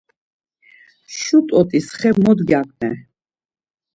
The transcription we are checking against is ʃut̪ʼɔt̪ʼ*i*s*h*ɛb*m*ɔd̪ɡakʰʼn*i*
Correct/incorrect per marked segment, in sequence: correct, incorrect: χ, correct, incorrect: ɛ

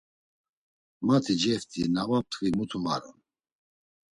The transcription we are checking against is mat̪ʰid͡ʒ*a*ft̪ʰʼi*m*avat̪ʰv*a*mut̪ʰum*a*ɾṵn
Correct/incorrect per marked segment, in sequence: incorrect: ɛ, incorrect: n, incorrect: i, correct

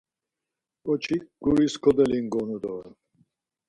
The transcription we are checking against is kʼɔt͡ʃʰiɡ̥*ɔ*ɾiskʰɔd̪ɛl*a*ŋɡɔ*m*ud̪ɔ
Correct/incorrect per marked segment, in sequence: incorrect: u, incorrect: i, incorrect: n

